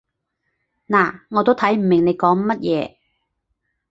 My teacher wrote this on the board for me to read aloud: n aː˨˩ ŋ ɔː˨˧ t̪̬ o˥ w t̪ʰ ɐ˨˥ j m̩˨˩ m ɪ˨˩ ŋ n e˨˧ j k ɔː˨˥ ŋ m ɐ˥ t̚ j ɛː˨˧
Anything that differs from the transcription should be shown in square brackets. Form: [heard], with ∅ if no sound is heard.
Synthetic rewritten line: n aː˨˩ ŋ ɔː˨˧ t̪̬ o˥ w t̪ʰ ɐ˨˥ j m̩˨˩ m ɪ˨˩ ŋ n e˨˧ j k ɔː˨˥ ŋ m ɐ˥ t̚ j ɛː˨˧